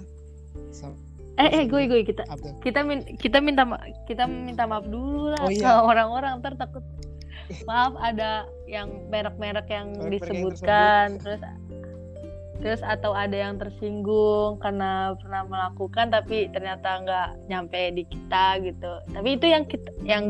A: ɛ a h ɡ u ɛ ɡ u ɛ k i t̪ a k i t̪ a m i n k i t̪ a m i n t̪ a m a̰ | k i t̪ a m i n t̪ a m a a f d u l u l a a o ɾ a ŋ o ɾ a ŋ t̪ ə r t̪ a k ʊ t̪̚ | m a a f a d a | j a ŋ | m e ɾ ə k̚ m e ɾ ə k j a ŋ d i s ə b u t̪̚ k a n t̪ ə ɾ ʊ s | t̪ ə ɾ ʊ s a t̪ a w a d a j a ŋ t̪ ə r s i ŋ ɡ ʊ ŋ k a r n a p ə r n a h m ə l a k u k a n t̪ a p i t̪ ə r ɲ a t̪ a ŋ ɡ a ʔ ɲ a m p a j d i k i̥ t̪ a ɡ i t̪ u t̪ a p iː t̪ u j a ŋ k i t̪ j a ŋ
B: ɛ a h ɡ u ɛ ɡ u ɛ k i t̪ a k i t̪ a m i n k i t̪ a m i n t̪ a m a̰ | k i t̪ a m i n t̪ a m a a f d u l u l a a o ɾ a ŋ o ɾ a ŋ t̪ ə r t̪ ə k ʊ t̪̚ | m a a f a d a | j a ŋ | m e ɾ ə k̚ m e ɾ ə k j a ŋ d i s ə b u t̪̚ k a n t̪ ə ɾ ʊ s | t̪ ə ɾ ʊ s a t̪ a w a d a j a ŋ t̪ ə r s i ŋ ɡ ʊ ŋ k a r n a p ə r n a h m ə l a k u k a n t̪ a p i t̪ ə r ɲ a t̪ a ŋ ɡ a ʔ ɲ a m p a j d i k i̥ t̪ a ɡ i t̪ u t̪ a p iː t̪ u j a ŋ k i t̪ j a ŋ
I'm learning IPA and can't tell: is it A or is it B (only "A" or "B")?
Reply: A